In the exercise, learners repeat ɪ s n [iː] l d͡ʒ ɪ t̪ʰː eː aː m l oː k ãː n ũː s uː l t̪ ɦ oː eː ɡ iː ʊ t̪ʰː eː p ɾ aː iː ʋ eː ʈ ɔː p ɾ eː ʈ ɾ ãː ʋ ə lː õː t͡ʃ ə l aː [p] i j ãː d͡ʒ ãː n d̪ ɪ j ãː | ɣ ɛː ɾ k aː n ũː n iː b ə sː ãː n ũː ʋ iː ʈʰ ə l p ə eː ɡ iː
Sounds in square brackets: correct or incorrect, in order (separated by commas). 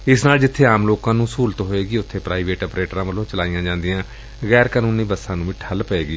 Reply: incorrect, incorrect